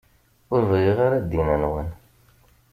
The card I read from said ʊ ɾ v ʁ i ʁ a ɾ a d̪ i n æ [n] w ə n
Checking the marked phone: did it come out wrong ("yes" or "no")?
no